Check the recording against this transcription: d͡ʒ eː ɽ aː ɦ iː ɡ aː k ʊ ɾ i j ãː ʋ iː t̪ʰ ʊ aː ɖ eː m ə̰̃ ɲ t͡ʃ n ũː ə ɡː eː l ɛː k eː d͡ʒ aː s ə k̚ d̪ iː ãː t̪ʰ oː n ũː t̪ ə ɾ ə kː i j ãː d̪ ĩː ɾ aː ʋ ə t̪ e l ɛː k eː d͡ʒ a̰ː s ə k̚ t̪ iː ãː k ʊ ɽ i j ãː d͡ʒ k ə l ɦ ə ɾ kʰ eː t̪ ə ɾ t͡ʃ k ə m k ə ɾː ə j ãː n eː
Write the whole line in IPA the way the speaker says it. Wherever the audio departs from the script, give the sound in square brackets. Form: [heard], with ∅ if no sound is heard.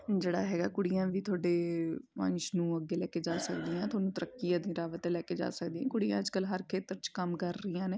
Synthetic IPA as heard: d͡ʒ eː ɽ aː ɦ [ɛː] ɡ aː k ʊ [ɽ] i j ãː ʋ iː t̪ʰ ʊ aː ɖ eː m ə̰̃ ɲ t͡ʃ n ũː ə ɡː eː l ɛː k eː d͡ʒ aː s ə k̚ d̪ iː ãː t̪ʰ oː n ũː t̪ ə ɾ ə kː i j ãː d̪ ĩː ɾ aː ʋ ə t̪ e l ɛː k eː d͡ʒ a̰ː s ə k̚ [d̪] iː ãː k ʊ ɽ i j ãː d͡ʒ k ə l ɦ ə ɾ kʰ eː t̪ ə ɾ t͡ʃ k ə m k ə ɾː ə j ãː n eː

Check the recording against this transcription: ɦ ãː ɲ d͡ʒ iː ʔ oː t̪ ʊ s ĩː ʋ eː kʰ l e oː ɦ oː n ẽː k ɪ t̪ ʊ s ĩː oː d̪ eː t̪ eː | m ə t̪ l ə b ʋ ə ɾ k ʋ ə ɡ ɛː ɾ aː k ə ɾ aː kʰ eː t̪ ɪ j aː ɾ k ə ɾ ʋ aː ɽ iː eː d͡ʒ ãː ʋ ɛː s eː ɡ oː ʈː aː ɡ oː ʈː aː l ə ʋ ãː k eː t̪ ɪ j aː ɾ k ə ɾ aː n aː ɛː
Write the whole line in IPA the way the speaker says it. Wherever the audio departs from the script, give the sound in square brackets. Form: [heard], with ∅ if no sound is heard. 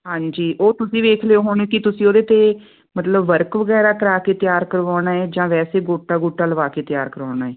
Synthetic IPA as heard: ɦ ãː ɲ d͡ʒ iː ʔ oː t̪ ʊ s ĩː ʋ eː kʰ l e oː ɦ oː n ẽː k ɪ t̪ ʊ s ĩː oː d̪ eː t̪ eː | m ə t̪ l ə b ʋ ə ɾ k ʋ ə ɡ ɛː ɾ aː k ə ɾ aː [k] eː t̪ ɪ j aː ɾ k ə ɾ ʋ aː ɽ [aː] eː d͡ʒ ãː ʋ ɛː s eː ɡ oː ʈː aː ɡ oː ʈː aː l ə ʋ [aː] k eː t̪ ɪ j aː ɾ k ə ɾ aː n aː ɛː

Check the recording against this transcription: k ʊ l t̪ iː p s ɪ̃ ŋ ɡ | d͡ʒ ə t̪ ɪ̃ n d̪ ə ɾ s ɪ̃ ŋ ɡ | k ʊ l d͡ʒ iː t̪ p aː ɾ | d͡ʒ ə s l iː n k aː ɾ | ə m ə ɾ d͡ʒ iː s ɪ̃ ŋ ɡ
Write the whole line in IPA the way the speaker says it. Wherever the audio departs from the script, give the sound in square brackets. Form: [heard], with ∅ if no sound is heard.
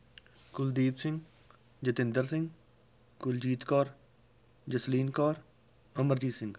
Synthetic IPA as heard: k ʊ l [d̪] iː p s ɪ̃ ŋ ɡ | d͡ʒ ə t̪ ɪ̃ n d̪ ə ɾ s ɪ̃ ŋ ɡ | k ʊ l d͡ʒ iː t̪ [k] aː ɾ | d͡ʒ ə s l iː n k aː ɾ | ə m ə ɾ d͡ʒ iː s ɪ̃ ŋ ɡ

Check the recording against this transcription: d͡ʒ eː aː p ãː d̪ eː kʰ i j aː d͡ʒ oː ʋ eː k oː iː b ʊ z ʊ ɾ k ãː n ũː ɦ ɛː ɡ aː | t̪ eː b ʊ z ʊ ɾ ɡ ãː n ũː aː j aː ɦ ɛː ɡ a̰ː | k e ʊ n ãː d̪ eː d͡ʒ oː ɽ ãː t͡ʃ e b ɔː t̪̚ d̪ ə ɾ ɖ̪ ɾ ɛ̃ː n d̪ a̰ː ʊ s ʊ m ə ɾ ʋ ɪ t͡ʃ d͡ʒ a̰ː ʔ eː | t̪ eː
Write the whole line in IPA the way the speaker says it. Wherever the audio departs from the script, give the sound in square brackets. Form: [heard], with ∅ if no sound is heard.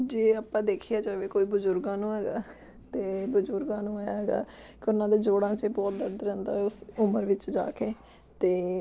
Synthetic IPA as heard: d͡ʒ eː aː p ãː d̪ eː kʰ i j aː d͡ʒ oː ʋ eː k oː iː b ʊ z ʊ ɾ [ɡ] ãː n ũː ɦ ɛː ɡ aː | t̪ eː b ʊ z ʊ ɾ ɡ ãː n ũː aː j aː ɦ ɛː ɡ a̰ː | k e ʊ n ãː d̪ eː d͡ʒ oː ɽ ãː t͡ʃ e b ɔː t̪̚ d̪ ə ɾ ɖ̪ ɾ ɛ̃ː n d̪ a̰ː ʊ s ʊ m ə ɾ ʋ ɪ t͡ʃ d͡ʒ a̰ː [k] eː | t̪ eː

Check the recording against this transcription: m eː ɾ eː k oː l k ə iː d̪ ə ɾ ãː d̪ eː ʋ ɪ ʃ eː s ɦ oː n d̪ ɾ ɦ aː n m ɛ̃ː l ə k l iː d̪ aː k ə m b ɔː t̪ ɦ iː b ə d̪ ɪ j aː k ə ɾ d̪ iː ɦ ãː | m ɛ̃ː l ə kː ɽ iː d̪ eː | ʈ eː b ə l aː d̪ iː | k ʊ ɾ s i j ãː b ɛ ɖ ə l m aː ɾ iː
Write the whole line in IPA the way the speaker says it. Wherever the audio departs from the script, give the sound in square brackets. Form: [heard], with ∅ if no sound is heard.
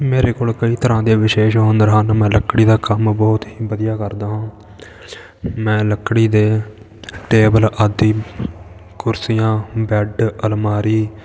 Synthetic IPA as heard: m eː ɾ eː k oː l k ə iː [t̪] ə ɾ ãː d̪ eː ʋ ɪ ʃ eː [ʃ] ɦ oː n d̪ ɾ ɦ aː n m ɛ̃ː l ə k [ɽ] iː d̪ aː k ə m b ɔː t̪ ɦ iː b ə d̪ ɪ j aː k ə ɾ d̪ [aː] ɦ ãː | m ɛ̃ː l ə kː ɽ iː d̪ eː | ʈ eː b ə l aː d̪ iː | k ʊ ɾ s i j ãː b ɛ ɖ ə l m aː ɾ iː

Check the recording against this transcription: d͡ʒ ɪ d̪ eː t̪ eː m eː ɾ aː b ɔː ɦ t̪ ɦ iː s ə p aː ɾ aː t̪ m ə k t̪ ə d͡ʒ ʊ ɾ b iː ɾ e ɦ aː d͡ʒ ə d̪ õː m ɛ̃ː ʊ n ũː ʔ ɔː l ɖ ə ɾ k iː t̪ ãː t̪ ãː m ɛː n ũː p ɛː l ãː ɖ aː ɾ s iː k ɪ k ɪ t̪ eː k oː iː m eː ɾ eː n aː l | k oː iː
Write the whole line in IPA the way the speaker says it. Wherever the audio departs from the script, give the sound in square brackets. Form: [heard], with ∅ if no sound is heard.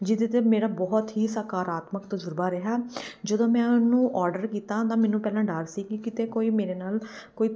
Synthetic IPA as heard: d͡ʒ ɪ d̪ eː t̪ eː m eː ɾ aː b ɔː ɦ t̪ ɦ iː s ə [k] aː ɾ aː t̪ m ə k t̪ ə d͡ʒ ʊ ɾ b [aː] ɾ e ɦ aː d͡ʒ ə d̪ õː m ɛ̃ː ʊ n ũː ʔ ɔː [ɾ] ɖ ə ɾ k iː t̪ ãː t̪ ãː m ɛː n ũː p ɛː l ãː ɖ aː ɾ s iː k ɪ k ɪ t̪ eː k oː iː m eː ɾ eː n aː l | k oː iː

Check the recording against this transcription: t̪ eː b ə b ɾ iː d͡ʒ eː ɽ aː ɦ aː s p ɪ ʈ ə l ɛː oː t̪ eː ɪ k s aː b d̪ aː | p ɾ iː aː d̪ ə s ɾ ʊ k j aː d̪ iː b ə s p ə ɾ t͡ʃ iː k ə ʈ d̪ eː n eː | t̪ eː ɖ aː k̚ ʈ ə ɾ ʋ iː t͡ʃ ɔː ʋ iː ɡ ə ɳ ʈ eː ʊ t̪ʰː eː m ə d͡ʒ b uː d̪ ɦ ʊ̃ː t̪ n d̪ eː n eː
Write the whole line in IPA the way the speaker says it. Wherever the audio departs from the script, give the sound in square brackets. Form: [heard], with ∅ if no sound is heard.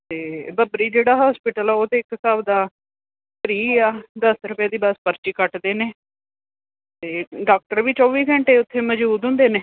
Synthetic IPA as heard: t̪ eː b ə b ɾ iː d͡ʒ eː ɽ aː ɦ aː s p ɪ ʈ ə l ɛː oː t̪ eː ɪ k s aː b d̪ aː | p ɾ iː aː d̪ ə s ɾ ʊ [p] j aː d̪ iː b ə s p ə ɾ t͡ʃ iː k ə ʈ d̪ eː n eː | t̪ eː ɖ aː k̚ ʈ ə ɾ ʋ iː t͡ʃ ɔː ʋ iː ɡ ə ɳ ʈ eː ʊ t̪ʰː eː m ə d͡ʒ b uː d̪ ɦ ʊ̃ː [∅] n d̪ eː n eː

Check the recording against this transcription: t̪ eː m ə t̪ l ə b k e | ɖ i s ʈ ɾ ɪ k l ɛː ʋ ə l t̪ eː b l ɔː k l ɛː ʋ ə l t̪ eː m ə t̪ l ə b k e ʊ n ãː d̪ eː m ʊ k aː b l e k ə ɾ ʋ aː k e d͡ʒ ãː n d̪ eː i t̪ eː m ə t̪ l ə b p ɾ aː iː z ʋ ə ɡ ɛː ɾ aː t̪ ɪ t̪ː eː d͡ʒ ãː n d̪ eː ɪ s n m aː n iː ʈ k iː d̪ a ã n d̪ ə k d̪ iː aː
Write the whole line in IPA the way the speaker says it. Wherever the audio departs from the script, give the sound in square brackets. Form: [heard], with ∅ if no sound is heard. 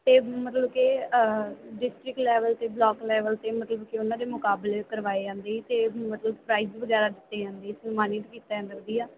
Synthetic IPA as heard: t̪ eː m ə t̪ l ə b k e | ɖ [ɪ] s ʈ ɾ ɪ k l ɛː ʋ ə l t̪ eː b l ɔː k l ɛː ʋ ə l t̪ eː m ə t̪ l ə b k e ʊ n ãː d̪ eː m ʊ k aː b l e k ə ɾ ʋ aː [∅] e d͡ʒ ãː n d̪ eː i t̪ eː m ə t̪ l ə b p ɾ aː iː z ʋ ə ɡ ɛː ɾ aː [d̪] ɪ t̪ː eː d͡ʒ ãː n d̪ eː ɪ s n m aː n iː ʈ k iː [t̪] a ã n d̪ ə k d̪ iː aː

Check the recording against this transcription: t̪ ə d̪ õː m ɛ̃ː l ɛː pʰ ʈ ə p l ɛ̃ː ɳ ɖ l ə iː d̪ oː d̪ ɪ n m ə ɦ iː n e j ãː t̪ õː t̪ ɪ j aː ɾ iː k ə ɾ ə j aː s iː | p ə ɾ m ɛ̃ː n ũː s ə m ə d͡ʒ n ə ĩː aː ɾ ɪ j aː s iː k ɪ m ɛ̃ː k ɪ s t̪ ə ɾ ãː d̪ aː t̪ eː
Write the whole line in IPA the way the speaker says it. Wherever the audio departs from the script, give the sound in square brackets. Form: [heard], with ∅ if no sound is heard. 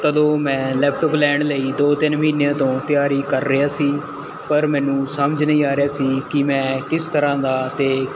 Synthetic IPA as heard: t̪ ə d̪ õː m ɛ̃ː l ɛː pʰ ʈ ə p l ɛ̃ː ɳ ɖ l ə iː d̪ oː [t̪] ɪ n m ə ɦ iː n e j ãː t̪ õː t̪ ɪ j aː ɾ iː k ə [ɾː] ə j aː s iː | p ə ɾ m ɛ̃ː n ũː s ə m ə d͡ʒ n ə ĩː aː ɾ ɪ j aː s iː k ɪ m ɛ̃ː k ɪ s t̪ ə ɾ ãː d̪ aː t̪ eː

